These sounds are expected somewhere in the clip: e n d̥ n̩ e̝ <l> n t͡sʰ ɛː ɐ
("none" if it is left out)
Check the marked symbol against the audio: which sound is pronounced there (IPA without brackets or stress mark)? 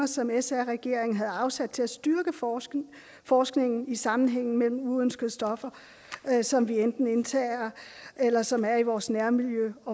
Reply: none